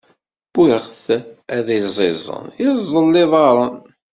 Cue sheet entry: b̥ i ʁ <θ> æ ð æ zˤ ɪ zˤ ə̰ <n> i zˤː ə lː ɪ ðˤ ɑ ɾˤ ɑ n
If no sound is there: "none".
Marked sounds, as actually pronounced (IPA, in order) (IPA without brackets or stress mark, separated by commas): θ, n